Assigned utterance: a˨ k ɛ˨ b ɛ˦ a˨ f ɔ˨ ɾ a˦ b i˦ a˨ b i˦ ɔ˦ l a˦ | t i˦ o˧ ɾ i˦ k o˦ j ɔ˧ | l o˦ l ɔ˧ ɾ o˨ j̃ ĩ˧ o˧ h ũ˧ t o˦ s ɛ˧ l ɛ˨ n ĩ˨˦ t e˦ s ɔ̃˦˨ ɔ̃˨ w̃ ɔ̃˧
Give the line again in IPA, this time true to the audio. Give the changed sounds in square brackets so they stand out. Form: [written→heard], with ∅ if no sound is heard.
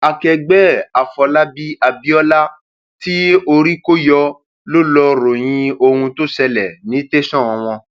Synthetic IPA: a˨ k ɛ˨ [b→ɡ͡b] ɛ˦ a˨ f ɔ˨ [ɾ→l] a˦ b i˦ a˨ b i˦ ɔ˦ l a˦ | t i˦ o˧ ɾ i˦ k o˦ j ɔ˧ | l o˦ l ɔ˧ ɾ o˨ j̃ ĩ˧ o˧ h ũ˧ t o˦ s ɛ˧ l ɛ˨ n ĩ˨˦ t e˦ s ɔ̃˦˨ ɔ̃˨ w̃ ɔ̃˧

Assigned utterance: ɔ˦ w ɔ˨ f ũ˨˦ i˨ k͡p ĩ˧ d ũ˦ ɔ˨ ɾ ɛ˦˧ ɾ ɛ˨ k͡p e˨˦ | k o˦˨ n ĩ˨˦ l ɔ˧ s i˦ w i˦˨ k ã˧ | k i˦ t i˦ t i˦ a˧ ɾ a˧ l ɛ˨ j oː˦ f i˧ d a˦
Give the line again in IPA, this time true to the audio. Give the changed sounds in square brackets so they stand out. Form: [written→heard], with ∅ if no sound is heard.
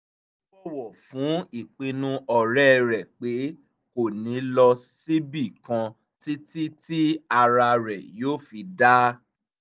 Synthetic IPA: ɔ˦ w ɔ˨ f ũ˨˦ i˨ k͡p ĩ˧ [d→n] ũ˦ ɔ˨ ɾ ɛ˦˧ ɾ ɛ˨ k͡p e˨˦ | k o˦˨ n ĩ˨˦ l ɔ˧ s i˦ [w→b] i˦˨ k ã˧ | [k→t] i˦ t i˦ t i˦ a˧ ɾ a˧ [l→ɾ] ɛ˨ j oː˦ f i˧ d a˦

